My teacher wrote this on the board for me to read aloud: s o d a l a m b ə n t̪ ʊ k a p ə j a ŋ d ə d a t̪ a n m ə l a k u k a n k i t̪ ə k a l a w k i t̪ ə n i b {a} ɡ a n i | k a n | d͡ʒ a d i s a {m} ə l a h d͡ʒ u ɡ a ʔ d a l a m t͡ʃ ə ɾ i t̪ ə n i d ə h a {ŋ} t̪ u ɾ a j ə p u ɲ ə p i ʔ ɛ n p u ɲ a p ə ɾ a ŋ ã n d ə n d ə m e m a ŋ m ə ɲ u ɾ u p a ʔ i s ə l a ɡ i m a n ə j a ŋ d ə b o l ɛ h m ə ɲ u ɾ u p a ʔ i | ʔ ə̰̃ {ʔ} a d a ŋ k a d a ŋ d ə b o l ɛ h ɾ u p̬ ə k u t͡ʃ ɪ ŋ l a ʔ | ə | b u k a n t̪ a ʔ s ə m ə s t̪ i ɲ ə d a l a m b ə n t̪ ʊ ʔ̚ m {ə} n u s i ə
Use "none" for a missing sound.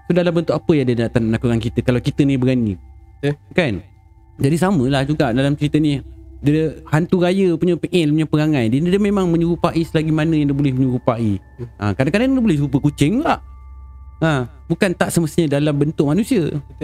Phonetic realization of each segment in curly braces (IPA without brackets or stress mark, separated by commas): ə, m, n, k, a